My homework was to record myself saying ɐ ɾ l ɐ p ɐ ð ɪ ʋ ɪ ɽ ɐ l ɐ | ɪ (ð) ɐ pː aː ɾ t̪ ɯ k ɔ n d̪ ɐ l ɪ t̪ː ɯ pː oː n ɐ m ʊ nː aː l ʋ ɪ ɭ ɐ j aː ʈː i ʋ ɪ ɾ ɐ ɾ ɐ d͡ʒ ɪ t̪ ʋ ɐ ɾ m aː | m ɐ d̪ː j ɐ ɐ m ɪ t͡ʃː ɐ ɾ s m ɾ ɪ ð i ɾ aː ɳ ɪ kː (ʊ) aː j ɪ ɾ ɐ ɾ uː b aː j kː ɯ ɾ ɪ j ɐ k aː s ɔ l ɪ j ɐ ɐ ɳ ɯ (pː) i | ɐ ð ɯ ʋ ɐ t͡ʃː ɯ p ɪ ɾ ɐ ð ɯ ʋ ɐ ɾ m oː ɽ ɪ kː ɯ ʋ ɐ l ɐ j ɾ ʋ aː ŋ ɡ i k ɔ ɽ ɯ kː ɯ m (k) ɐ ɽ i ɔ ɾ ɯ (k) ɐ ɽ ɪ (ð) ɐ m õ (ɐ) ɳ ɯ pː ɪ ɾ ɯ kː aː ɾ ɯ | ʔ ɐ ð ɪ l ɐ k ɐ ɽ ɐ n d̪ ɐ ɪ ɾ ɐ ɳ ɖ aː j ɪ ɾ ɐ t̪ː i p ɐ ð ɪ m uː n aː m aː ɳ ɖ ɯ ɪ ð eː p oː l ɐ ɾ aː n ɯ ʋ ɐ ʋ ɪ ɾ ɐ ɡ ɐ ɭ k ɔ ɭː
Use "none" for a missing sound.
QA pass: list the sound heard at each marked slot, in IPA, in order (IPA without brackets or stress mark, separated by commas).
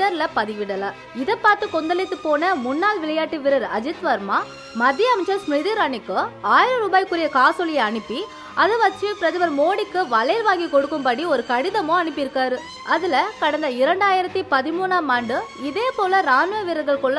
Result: ð, ɯ, pː, p, k, ð, ɐ